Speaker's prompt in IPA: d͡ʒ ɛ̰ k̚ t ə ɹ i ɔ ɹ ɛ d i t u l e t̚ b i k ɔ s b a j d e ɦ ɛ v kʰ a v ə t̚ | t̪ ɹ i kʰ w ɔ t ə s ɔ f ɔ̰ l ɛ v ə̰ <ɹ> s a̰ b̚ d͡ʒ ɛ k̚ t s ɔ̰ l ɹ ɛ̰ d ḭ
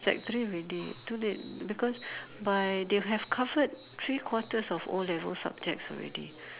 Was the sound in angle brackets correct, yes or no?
no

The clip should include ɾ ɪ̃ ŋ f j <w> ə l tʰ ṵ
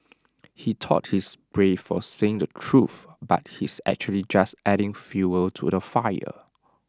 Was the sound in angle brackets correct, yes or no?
no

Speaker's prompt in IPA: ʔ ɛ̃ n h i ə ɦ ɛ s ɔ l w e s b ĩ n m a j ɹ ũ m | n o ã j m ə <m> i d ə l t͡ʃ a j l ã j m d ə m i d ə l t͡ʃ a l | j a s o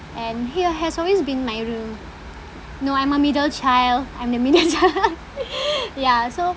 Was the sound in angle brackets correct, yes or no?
yes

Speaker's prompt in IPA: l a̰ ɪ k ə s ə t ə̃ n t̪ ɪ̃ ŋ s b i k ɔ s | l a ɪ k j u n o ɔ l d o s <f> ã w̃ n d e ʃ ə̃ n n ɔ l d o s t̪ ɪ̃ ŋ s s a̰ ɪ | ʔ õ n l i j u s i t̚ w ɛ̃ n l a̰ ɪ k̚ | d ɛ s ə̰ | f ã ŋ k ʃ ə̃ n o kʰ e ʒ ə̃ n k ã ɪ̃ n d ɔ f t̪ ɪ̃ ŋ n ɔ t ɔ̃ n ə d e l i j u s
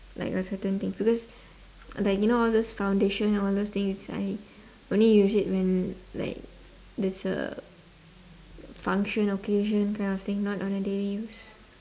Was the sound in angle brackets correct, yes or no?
yes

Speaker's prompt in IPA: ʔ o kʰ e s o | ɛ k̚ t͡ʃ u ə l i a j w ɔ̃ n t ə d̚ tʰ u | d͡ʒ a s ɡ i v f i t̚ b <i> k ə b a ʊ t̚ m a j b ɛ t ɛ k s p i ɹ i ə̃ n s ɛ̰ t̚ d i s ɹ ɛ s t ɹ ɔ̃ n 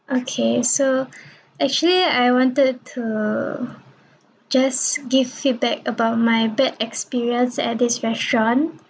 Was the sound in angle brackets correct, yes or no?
no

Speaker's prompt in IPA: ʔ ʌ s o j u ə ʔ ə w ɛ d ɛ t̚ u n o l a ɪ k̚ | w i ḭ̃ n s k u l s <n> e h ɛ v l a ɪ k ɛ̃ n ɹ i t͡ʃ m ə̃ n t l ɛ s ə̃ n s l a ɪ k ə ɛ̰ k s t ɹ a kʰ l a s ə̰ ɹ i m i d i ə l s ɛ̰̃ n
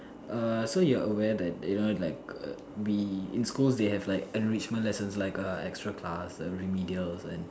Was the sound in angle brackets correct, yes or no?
no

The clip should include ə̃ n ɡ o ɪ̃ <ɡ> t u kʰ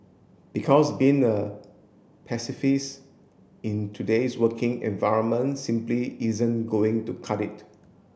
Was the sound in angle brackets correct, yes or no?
no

